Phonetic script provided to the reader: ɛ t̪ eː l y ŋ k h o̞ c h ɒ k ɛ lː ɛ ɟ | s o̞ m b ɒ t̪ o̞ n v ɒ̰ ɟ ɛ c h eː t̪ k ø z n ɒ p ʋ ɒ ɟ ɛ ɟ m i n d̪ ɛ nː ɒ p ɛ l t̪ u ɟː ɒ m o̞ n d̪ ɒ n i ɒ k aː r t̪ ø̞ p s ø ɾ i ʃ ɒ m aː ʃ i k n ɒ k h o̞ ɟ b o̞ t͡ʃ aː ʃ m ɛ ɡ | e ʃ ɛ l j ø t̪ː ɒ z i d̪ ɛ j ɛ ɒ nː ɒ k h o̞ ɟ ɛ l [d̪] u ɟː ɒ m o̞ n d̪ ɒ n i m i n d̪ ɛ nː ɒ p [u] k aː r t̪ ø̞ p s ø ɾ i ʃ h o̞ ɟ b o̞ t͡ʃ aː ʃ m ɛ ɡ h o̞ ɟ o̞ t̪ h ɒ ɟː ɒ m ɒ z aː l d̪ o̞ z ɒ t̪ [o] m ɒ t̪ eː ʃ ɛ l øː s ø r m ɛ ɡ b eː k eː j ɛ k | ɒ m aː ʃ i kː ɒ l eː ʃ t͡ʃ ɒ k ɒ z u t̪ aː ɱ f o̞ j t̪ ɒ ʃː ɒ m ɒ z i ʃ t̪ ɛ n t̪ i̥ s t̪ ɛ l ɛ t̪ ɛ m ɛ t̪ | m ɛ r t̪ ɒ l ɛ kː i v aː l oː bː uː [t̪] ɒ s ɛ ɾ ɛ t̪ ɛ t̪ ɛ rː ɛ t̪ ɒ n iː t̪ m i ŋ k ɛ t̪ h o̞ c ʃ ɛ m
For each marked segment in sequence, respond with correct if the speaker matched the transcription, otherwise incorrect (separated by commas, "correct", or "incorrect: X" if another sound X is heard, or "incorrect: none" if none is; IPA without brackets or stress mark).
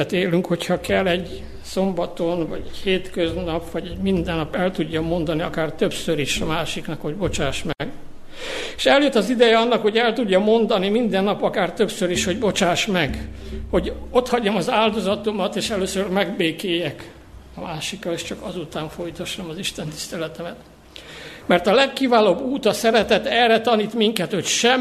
incorrect: t̪, incorrect: ɒ, correct, correct